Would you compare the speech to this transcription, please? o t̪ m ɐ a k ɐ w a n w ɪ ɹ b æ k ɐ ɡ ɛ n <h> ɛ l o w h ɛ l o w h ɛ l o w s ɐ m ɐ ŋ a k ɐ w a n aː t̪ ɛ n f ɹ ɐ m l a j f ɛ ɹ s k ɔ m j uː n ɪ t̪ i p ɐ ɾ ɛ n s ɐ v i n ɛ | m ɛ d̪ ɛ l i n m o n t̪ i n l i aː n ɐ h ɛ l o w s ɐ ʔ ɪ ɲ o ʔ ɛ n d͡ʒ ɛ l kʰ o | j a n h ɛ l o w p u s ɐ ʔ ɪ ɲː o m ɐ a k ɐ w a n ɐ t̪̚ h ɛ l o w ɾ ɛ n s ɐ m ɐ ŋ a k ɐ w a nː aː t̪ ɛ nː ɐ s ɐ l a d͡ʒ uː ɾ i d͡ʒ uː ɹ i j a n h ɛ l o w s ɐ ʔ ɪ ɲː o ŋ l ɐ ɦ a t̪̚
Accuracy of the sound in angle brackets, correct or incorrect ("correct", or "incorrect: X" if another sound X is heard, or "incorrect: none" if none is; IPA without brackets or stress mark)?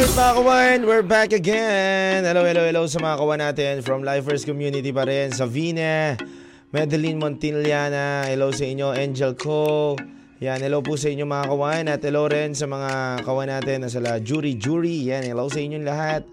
correct